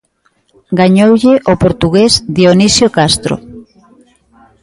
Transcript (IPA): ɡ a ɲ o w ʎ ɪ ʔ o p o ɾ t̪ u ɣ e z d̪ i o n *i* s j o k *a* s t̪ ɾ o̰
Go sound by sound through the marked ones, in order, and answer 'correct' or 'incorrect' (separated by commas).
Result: correct, correct